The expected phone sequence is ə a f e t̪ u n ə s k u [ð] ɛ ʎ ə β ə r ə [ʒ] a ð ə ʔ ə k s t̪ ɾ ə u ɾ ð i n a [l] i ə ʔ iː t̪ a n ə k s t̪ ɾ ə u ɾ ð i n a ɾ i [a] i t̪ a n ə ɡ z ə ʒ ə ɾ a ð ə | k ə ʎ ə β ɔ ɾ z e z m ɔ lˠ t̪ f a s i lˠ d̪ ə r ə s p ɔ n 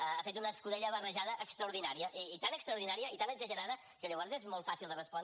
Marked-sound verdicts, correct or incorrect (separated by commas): correct, correct, incorrect, incorrect